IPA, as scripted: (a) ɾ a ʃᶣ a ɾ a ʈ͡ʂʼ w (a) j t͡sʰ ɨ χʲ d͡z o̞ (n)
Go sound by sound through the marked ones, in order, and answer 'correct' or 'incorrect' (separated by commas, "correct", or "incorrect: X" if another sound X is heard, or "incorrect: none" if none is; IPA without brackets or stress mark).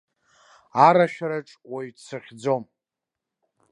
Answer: correct, correct, incorrect: m